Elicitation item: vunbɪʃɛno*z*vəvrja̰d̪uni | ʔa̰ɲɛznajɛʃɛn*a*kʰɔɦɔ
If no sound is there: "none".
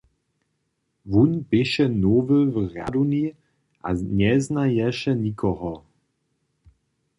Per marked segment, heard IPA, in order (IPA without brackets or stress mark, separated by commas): none, i